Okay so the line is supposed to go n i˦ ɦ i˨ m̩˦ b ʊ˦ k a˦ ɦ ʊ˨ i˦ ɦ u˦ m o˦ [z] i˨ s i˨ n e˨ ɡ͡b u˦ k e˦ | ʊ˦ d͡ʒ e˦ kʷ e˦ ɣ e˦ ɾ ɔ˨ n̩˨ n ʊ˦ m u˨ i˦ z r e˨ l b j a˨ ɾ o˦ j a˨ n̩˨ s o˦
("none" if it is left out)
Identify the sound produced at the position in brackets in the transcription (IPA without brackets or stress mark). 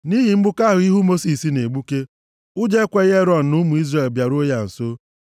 s